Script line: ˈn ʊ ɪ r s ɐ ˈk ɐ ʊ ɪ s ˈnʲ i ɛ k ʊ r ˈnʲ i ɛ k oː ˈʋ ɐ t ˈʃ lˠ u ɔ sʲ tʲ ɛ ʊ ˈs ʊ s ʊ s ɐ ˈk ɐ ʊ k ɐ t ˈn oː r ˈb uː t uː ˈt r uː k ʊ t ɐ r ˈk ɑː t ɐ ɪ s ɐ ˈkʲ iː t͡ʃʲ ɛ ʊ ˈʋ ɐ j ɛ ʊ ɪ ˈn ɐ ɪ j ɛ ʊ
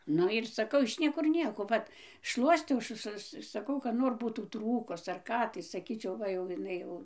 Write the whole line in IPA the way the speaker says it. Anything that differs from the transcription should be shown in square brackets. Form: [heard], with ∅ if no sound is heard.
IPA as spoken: ˈn ʊ ɪ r s ɐ ˈk ɐ ʊ ɪ [ʃ] ˈnʲ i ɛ k ʊ r ˈnʲ i ɛ k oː ˈʋ ɐ t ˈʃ lˠ u ɔ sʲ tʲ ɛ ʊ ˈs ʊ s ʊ s ɐ ˈk ɐ ʊ k ɐ t ˈn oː r ˈb uː t uː ˈt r uː k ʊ [s] ɐ r ˈk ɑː t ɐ ɪ s ɐ ˈkʲ iː t͡ʃʲ ɛ ʊ ˈʋ ɐ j ɛ ʊ ɪ ˈn ɐ ɪ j ɛ ʊ

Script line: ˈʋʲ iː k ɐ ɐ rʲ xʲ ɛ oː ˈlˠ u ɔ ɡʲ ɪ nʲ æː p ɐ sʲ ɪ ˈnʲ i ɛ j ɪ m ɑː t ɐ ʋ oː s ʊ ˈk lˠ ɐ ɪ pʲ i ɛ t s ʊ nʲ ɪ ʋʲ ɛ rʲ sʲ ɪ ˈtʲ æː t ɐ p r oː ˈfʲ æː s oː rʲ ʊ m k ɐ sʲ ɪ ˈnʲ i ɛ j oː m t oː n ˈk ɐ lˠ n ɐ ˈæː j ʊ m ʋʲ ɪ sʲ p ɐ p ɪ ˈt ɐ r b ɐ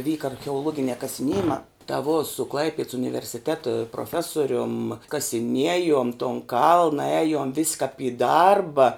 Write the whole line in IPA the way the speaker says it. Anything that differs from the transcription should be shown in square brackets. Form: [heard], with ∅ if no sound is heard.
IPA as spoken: ˈʋʲ iː k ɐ ɐ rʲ xʲ ɛ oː ˈlˠ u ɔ ɡʲ ɪ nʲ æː [k] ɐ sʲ ɪ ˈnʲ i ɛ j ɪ m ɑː t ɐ ʋ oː s ʊ ˈk lˠ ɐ ɪ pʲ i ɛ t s ʊ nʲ ɪ ʋʲ ɛ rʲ sʲ ɪ ˈtʲ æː t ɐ p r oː ˈfʲ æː s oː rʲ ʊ m k ɐ sʲ ɪ ˈnʲ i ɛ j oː m t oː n ˈk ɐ lˠ n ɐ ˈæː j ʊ m ʋʲ ɪ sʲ [k] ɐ p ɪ [ˈd] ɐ r b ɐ

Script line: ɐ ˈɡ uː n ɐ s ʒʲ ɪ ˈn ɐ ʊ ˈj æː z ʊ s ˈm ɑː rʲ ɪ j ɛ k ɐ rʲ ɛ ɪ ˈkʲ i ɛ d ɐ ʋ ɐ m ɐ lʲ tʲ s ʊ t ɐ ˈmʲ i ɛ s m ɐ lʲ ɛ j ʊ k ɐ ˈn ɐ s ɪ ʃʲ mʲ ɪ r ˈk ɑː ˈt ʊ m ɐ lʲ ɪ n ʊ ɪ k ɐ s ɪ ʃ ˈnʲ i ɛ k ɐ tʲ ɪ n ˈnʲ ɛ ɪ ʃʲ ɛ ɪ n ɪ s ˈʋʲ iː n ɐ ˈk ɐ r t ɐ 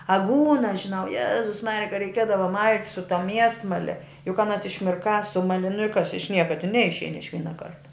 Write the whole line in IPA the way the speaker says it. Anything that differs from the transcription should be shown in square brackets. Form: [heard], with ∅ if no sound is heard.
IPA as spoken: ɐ ˈɡ uː n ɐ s ʒʲ ɪ ˈn ɐ ʊ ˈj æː z ʊ s ˈm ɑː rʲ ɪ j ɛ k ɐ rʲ ɛ ɪ ˈkʲ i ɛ d ɐ ʋ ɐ m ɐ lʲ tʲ s ʊ t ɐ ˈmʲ i ɛ s m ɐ lʲ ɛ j ʊ k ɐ ˈn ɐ s ɪ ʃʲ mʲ ɪ r ˈk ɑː [ˈs] ʊ m ɐ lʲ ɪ n ʊ ɪ k ɐ s ɪ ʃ ˈnʲ i ɛ k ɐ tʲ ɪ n ˈnʲ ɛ ɪ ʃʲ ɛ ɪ n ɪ [ʃ] ˈʋʲ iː n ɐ ˈk ɐ r t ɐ

